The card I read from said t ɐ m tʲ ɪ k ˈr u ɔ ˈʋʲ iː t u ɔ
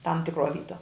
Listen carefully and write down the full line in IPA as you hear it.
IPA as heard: t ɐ m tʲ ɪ k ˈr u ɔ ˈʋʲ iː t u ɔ